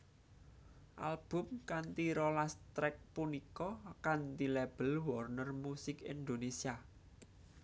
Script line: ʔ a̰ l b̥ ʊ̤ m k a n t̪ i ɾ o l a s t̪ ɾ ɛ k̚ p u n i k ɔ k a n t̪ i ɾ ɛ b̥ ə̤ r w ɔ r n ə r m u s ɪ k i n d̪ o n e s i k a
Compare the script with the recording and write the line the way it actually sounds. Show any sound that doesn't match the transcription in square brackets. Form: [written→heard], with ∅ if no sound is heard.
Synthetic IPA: ʔ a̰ l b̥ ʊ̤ m k a n t̪ i ɾ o l a s t̪ ɾ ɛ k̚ p u n i k ɔ k a n t̪ i [ɾ→l] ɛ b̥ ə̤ [r→l] w ɔ r n ə r m u s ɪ k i n d̪ o n e s i [k→∅] a